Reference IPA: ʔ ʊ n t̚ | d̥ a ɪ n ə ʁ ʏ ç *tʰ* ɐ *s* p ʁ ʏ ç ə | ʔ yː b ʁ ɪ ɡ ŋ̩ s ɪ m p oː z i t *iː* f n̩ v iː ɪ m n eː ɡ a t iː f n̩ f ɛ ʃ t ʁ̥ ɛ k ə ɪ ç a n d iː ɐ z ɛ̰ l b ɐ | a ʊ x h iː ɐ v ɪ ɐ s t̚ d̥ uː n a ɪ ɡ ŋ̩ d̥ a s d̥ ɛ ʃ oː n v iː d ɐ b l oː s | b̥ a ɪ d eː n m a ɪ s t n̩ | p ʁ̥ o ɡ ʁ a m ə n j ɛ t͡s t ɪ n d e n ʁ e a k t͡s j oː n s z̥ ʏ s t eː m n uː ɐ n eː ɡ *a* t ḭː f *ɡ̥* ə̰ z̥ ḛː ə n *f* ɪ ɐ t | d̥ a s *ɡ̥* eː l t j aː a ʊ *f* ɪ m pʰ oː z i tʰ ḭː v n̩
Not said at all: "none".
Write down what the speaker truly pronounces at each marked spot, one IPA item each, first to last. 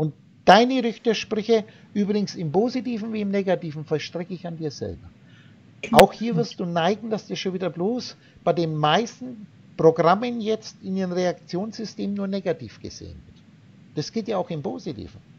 t, ʃ, iː, a, ɡ̥, v, ɡ̥, x

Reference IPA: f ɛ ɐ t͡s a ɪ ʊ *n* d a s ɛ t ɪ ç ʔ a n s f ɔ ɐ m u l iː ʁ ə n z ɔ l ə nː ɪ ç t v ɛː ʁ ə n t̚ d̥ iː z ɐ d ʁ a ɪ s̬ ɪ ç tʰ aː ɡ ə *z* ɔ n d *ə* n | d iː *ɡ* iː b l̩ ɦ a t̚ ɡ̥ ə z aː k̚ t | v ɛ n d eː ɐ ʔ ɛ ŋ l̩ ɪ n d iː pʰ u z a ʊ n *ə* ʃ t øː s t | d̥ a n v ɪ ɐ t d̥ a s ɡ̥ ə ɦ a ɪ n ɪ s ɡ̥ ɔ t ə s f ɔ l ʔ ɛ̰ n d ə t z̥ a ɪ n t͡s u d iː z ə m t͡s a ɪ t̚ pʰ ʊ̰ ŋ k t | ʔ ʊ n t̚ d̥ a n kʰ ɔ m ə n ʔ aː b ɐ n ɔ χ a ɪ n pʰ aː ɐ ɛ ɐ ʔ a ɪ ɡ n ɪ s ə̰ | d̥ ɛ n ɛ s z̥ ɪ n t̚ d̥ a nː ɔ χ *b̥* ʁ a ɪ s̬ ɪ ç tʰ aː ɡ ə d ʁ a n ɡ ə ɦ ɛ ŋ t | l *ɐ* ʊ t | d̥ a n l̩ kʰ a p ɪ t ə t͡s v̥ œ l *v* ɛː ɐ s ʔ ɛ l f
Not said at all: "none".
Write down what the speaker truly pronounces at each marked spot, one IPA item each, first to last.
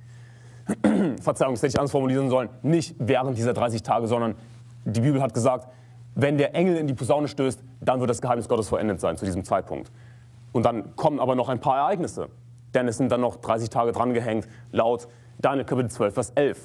ŋ, z, ɐ, b, ə, d̥, a, f

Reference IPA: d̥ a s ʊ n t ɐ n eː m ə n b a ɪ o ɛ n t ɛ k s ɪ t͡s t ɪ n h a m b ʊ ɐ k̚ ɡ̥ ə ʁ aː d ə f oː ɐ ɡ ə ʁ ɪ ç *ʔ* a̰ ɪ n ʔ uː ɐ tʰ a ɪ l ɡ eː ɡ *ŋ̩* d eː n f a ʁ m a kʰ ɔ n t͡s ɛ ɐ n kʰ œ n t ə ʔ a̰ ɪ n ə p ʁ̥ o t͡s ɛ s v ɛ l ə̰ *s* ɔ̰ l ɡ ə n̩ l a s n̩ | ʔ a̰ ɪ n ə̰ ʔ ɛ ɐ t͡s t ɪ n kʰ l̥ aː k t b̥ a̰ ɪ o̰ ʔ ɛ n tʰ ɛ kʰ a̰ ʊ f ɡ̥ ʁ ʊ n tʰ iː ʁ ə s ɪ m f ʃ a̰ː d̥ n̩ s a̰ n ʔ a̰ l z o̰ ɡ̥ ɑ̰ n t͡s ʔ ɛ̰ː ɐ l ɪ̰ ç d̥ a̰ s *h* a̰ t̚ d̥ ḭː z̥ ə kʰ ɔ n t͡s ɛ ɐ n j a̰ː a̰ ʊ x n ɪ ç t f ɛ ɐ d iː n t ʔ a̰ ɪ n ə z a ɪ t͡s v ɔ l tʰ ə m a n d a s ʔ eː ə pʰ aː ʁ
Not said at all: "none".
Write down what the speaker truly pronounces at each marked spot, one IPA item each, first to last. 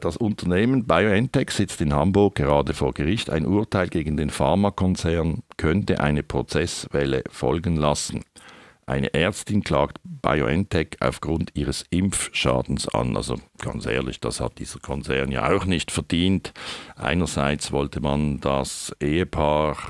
t, n̩, f, h

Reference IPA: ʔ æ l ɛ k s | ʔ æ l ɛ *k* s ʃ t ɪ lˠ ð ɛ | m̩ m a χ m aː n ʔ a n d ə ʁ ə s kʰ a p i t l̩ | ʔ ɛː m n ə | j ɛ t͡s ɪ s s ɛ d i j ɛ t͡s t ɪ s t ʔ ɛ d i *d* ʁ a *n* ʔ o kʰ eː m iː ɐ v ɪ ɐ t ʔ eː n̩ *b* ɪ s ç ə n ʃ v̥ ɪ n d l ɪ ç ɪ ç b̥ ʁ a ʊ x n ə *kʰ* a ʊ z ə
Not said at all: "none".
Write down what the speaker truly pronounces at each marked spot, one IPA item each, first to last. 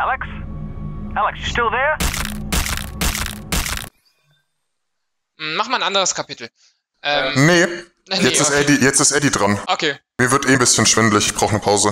k, d, n, b, pʰ

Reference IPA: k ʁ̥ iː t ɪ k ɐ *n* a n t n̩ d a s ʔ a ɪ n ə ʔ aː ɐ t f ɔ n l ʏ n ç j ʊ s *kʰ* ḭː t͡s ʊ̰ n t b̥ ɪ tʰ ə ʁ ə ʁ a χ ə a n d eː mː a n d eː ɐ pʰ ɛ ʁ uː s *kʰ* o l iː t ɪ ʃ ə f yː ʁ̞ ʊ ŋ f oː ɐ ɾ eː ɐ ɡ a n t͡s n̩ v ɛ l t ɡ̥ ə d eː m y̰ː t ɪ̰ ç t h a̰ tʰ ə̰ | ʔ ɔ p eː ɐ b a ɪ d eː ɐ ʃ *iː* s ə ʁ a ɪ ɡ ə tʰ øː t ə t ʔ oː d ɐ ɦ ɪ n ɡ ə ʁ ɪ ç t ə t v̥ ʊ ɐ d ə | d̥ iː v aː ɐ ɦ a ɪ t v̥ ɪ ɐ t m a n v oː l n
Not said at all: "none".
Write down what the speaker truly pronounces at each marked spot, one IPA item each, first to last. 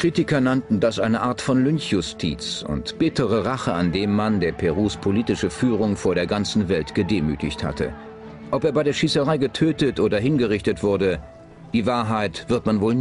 n, tʰ, pʰ, iː

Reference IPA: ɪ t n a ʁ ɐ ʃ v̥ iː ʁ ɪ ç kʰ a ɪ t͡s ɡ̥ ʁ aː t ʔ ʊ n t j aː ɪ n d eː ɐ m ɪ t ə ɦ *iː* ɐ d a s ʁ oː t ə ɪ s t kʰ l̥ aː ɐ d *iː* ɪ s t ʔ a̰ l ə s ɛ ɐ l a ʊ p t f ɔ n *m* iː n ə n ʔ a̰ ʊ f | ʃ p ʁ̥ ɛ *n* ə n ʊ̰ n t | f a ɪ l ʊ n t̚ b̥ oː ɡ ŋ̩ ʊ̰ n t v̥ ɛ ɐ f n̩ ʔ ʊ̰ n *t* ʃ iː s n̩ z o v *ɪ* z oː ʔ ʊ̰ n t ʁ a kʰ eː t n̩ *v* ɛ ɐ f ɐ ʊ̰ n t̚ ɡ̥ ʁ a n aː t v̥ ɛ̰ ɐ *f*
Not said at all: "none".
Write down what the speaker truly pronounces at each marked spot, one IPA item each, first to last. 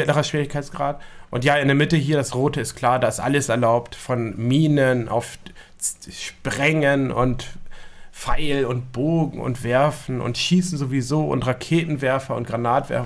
iː, aː, m, ŋ, t, i, v, f

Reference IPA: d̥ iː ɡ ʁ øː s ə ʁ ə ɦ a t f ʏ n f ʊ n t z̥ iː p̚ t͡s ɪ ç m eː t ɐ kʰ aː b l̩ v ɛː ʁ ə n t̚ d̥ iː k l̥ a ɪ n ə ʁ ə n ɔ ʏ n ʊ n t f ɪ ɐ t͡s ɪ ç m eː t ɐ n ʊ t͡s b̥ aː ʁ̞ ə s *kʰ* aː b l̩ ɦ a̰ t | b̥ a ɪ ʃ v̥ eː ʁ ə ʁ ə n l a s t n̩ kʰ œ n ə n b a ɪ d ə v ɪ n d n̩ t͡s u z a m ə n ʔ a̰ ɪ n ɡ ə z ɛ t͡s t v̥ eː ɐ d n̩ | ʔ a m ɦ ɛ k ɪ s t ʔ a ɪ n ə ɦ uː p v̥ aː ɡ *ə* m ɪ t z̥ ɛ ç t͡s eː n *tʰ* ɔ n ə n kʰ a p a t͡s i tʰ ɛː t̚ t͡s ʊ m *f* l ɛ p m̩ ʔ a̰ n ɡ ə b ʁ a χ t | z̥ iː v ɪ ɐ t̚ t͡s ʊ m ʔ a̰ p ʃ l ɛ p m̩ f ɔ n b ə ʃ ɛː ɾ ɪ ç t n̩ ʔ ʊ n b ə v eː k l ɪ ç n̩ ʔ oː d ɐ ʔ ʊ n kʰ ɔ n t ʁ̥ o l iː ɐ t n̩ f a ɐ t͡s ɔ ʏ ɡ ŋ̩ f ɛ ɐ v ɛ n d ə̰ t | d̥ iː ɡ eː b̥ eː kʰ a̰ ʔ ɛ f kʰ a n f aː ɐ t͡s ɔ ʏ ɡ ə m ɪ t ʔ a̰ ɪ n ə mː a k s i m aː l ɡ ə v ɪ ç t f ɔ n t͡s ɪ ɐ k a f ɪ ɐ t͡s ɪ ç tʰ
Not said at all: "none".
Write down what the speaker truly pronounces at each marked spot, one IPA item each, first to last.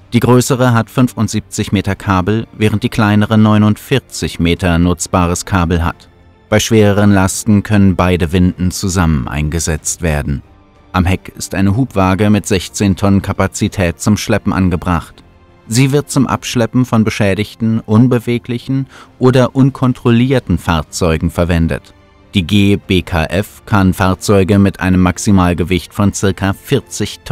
kʰ, ə, tʰ, ʃ

